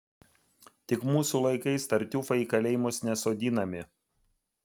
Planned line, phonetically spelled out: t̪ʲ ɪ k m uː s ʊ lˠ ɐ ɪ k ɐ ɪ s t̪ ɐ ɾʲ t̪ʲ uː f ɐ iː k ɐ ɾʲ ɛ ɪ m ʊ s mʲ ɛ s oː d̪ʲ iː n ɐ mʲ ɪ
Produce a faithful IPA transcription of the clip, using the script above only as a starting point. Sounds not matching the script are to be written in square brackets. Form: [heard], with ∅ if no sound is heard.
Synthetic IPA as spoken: t̪ʲ ɪ k m uː s [u] lˠ ɐ ɪ k ɐ ɪ s t̪ ɐ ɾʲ t̪ʲ uː f ɐ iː k ɐ [lʲ] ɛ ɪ m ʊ s [nʲ] ɛ s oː d̪ʲ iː n ɐ mʲ ɪ